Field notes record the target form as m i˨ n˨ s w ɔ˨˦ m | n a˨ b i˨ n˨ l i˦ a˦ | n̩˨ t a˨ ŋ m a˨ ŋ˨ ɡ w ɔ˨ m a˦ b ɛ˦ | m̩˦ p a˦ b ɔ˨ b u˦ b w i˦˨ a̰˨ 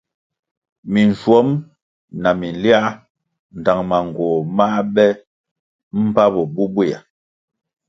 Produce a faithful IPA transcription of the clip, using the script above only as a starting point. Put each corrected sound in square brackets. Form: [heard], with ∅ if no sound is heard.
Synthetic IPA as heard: m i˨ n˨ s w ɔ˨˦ m | n a˨ [m] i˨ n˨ l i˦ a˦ | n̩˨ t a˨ ŋ m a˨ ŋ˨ ɡ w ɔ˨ m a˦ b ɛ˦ | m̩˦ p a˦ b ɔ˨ b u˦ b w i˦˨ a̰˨

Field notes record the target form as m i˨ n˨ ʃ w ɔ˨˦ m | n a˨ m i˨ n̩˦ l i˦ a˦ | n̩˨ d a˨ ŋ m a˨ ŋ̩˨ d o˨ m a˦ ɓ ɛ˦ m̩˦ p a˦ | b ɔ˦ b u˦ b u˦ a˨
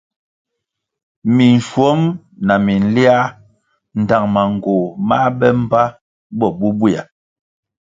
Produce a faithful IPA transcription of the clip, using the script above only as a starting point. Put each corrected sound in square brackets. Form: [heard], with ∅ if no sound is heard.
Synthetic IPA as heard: m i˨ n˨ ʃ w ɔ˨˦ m | n a˨ m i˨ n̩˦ l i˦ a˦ | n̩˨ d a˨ ŋ m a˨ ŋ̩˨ [ɡ] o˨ m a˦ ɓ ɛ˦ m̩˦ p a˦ | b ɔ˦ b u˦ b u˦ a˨

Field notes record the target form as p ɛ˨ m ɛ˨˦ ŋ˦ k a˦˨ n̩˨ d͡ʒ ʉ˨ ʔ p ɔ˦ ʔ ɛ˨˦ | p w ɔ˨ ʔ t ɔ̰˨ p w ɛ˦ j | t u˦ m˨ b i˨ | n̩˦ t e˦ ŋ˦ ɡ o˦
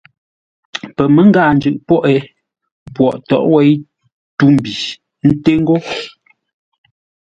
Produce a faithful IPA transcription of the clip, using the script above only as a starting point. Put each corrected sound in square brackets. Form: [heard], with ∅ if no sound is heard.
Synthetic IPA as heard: p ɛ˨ m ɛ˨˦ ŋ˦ [ɡ] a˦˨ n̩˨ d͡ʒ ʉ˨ ʔ p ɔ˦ ʔ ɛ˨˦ | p w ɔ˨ ʔ t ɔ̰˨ [ʔ] w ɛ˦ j | t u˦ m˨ b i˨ | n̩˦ t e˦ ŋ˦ ɡ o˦

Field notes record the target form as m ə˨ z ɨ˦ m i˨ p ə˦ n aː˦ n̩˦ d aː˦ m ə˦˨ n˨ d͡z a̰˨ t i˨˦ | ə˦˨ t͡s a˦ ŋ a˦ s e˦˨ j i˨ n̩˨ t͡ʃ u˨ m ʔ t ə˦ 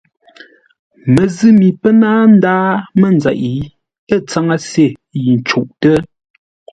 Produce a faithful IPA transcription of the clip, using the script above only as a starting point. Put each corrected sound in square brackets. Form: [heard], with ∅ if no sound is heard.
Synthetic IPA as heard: m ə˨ z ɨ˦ m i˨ p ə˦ n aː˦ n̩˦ d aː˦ m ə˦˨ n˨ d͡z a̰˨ [ʔ] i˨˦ | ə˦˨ t͡s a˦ ŋ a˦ s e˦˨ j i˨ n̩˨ t͡ʃ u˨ [∅] ʔ t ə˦

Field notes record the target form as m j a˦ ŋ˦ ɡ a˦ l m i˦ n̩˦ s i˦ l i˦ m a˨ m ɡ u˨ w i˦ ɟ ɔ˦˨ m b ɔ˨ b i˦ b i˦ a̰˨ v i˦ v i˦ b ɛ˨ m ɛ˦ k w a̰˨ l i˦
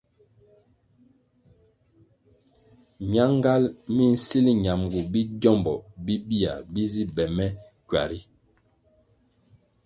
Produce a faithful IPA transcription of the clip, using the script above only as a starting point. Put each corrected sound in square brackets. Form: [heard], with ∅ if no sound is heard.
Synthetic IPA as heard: m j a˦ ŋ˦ ɡ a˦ l m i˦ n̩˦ s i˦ l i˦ [ɲ] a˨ m ɡ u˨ [b] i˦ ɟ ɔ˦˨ m b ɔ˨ b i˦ b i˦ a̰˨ [b] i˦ [z] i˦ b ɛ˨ m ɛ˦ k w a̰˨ [ɾ] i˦

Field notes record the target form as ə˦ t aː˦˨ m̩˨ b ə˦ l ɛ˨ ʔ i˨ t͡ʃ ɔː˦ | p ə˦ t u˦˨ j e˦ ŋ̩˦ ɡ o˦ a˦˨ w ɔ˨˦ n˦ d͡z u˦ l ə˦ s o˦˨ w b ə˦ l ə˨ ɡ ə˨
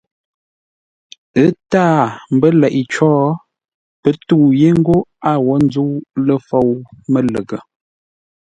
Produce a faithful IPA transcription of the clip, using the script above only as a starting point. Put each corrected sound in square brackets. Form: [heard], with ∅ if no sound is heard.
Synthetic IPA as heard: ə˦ t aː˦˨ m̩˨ b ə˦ l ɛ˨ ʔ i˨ t͡ʃ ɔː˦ | p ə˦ t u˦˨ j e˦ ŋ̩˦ ɡ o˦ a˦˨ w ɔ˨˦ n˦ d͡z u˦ l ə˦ [f] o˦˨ w [m] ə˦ l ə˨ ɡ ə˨

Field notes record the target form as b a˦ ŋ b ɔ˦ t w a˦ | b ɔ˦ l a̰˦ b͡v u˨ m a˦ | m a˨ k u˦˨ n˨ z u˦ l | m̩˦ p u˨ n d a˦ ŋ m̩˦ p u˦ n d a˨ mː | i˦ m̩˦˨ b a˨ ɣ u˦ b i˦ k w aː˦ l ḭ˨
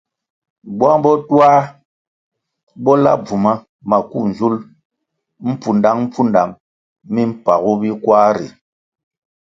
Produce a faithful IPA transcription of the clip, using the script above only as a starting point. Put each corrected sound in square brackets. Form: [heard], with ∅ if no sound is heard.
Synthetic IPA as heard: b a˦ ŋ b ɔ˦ t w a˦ | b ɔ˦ l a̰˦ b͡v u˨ m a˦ | m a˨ k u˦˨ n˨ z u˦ l | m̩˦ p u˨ n d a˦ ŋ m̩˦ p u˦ n d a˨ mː | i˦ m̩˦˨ [p] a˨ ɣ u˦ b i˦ k w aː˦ [ɾ] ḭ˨

